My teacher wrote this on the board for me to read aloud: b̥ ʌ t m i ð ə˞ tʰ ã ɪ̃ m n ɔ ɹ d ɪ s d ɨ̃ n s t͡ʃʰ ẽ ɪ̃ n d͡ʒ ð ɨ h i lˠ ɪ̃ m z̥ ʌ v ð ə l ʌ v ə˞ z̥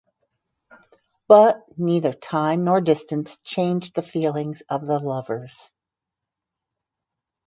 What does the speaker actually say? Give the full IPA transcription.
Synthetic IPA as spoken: b̥ ʌ t n i ð ə˞ tʰ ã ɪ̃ m n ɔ ɹ d ɪ s t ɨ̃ n s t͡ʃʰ ẽ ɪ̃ n d͡ʒ ð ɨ f i lˠ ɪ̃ ŋ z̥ ʌ v ð ə l ʌ v ə˞ z̥